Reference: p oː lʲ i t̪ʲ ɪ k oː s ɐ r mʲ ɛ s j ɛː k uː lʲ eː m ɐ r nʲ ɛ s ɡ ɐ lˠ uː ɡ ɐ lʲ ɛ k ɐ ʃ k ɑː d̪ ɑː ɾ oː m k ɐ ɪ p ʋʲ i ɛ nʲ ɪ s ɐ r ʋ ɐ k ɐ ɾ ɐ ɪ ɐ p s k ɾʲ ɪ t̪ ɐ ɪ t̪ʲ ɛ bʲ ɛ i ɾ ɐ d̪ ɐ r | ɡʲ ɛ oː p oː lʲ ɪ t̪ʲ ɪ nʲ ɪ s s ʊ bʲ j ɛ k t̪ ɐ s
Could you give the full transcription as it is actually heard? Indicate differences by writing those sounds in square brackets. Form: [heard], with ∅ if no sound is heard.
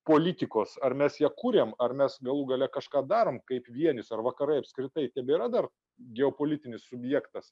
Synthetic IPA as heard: p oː lʲ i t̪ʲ ɪ k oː s ɐ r mʲ ɛ s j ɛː k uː [ɾʲ] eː m ɐ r [mʲ] ɛ s ɡ ɐ lˠ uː ɡ ɐ lʲ ɛ k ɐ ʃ k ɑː d̪ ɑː ɾ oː m k ɐ ɪ p ʋʲ i ɛ nʲ ɪ s ɐ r ʋ ɐ k ɐ ɾ ɐ ɪ ɐ p s k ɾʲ ɪ t̪ ɐ ɪ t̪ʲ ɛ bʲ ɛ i ɾ ɐ d̪ ɐ r | ɡʲ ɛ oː p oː lʲ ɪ t̪ʲ ɪ nʲ ɪ s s ʊ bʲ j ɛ k t̪ ɐ s